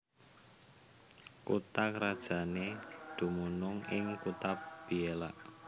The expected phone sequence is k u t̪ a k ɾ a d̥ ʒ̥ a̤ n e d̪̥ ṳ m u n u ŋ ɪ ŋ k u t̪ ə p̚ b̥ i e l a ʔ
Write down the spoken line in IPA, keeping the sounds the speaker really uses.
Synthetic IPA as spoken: k u t̪ a k ɾ a d̥ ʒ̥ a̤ n e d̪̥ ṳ m u n ʊ ŋ ɪ ŋ k u t̪ a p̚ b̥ i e l a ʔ